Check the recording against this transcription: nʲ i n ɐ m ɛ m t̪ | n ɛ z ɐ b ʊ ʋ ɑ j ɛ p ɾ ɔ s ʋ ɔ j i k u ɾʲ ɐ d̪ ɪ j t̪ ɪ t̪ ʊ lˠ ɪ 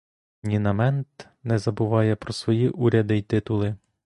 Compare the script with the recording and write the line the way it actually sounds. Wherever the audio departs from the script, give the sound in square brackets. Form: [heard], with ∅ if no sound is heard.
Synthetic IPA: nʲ i n ɐ m ɛ [n] t̪ | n ɛ z ɐ b ʊ ʋ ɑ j ɛ p ɾ ɔ s ʋ ɔ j i [ʔ] u ɾʲ ɐ d̪ ɪ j t̪ ɪ t̪ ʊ lˠ ɪ

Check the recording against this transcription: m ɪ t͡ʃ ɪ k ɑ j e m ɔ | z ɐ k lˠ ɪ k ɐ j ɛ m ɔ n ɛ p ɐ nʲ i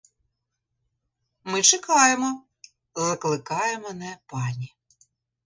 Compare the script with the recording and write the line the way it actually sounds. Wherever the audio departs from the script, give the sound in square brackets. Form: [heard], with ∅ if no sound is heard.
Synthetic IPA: m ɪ t͡ʃ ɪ k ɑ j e m ɔ | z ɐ k lˠ ɪ k [ɑ] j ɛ m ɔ n ɛ p [ɑ] nʲ i

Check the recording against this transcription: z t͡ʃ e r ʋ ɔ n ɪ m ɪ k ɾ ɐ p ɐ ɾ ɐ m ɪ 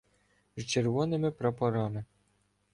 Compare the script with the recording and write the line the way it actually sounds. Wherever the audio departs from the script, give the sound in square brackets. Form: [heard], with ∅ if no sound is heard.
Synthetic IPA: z t͡ʃ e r ʋ ɔ n ɪ m ɪ [p] ɾ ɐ p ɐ ɾ [ɑ] m ɪ

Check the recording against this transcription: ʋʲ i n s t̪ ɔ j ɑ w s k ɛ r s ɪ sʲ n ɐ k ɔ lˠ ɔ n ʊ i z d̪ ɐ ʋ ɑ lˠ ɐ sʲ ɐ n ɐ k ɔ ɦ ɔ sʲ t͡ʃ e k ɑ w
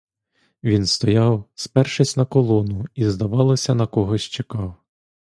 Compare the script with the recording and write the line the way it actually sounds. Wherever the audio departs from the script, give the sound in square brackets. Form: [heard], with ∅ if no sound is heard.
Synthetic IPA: ʋʲ i n s t̪ ɔ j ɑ w s [p] ɛ r [ʃ] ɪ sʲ n ɐ k ɔ lˠ ɔ n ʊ i z d̪ ɐ ʋ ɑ lˠ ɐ sʲ ɐ n ɐ k ɔ ɦ ɔ sʲ t͡ʃ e k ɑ w

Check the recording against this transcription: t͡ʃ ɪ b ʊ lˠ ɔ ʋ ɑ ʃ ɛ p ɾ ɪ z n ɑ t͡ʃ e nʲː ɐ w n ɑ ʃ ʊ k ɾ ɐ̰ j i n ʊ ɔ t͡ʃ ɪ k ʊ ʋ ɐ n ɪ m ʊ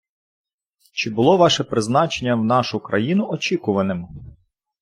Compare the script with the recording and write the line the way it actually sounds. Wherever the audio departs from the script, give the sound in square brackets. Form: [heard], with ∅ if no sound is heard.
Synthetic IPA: t͡ʃ ɪ b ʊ lˠ ɔ ʋ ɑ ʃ ɛ p ɾ ɪ z n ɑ t͡ʃ e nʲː ɐ w n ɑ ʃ ʊ k ɾ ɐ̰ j i n ʊ ɔ t͡ʃ [i] k ʊ ʋ ɐ n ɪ m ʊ

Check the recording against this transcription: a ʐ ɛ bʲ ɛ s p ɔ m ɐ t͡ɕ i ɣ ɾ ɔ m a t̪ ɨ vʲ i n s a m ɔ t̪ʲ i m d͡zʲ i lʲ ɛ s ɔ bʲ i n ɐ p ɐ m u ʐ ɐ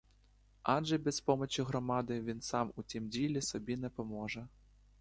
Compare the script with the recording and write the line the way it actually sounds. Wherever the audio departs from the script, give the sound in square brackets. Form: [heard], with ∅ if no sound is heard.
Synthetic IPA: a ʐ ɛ bʲ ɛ s p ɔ m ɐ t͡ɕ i ɣ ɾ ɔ m a [d̪] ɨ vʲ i n s a m [u] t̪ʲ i m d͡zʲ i lʲ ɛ s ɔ bʲ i n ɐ p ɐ m [ɔ] ʐ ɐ

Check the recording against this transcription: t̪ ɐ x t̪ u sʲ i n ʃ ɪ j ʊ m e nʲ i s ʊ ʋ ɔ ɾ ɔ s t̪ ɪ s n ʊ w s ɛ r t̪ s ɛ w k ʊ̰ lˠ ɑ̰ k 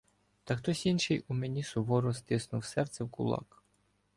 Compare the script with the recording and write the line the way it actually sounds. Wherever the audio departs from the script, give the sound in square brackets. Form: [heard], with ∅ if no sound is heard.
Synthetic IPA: t̪ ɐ x t̪ [ɔ] sʲ i n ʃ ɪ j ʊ m e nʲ i s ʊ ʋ ɔ ɾ ɔ s t̪ ɪ s n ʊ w s ɛ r t̪ s ɛ w k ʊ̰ lˠ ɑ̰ k

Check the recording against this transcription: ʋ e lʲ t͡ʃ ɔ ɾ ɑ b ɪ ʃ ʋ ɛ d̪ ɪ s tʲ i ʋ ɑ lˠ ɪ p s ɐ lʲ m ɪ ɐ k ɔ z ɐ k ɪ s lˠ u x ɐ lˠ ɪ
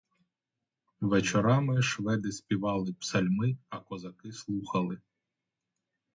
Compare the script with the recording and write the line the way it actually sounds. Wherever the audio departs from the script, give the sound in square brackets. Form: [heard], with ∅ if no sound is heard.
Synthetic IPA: ʋ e [∅] t͡ʃ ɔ ɾ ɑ [m] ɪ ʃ ʋ ɛ d̪ ɪ s [pʲ] i ʋ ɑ lˠ ɪ p s ɐ lʲ m ɪ ɐ k ɔ z ɐ k ɪ s lˠ u x ɐ lˠ ɪ

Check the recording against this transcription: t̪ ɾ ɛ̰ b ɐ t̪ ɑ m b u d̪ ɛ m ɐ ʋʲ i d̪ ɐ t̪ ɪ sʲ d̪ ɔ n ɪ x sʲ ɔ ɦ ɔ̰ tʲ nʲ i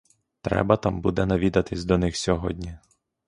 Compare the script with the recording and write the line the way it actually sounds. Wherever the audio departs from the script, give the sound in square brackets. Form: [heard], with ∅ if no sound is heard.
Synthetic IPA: t̪ ɾ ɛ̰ b ɐ t̪ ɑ m b u d̪ ɛ [n] ɐ ʋʲ i d̪ ɐ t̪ ɪ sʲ d̪ ɔ n ɪ x sʲ ɔ ɦ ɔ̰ [dʲ] nʲ i

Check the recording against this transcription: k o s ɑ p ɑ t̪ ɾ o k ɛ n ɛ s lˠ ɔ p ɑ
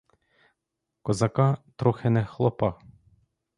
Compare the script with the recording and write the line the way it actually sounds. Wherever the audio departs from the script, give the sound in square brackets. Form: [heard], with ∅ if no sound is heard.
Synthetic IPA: k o [z] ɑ [k] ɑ t̪ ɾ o [x] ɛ n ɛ [x] lˠ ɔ p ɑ

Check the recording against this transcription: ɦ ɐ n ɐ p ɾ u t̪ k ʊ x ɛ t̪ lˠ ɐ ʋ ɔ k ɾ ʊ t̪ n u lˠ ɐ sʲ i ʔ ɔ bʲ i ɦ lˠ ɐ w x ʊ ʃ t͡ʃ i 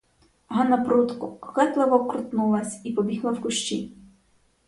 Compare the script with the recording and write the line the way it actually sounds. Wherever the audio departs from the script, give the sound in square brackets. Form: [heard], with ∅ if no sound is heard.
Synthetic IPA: ɦ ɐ n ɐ p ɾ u t̪ k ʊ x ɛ t̪ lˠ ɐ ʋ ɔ k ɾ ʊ t̪ n u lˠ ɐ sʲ i [p] ɔ bʲ i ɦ lˠ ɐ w [k] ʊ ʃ t͡ʃ i

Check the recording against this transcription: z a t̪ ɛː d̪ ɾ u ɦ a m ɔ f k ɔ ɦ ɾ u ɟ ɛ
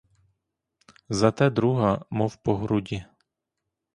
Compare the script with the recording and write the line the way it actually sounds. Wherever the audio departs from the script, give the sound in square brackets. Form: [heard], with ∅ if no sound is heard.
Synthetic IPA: z a t̪ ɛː d̪ ɾ u ɦ a m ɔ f [p] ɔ ɦ ɾ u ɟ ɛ

